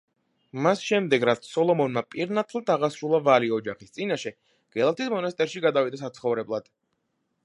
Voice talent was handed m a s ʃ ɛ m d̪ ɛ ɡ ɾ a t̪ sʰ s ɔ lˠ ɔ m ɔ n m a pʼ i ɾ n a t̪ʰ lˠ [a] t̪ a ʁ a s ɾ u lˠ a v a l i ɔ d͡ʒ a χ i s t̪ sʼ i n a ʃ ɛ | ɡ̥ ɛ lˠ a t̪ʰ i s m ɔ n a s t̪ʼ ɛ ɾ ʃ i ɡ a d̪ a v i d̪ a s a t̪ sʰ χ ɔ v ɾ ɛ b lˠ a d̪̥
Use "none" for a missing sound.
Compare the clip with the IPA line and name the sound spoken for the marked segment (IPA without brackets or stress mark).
a